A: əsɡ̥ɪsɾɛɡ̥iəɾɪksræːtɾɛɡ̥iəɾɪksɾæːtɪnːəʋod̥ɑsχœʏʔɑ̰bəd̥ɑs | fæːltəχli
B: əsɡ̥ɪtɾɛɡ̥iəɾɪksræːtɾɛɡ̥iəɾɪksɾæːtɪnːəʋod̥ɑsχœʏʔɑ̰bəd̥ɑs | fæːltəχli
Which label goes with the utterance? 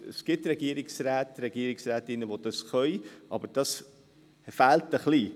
B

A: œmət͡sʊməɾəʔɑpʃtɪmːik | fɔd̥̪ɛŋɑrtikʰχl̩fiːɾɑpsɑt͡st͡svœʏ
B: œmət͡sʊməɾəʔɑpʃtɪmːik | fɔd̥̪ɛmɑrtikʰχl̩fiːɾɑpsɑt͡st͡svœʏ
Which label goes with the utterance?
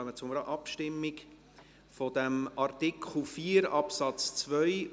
B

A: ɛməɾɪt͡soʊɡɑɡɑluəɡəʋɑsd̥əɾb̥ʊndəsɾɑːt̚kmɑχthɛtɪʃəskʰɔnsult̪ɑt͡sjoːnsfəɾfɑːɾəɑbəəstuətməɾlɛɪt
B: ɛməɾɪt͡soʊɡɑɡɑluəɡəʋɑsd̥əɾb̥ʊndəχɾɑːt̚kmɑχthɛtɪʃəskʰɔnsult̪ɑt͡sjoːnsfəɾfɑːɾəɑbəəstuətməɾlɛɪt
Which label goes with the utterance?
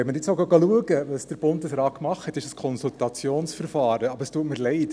A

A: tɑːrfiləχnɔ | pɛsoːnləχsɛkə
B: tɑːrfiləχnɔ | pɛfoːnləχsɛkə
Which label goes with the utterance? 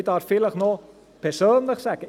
A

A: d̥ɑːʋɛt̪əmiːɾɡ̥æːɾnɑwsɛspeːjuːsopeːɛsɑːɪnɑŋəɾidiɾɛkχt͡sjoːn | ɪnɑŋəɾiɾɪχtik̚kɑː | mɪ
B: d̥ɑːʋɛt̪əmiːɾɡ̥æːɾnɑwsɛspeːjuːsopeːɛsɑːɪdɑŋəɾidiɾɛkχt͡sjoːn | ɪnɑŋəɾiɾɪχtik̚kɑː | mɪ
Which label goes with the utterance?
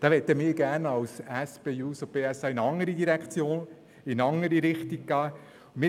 A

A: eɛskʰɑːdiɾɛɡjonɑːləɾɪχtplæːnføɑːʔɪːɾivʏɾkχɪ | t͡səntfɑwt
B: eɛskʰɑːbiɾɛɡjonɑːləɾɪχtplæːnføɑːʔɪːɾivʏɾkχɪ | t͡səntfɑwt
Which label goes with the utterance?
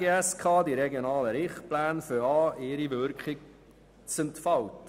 A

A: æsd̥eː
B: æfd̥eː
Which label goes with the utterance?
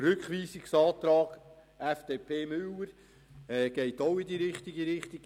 B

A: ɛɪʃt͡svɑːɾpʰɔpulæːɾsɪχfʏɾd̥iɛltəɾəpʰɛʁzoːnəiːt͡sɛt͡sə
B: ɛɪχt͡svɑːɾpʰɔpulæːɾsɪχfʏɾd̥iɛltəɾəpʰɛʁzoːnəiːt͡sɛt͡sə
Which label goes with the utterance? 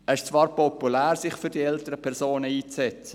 A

